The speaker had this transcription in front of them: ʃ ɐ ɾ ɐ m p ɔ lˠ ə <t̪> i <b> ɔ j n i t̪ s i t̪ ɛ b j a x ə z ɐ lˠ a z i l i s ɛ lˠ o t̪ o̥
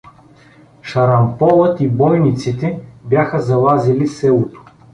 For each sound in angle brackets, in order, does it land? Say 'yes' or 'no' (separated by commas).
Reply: yes, yes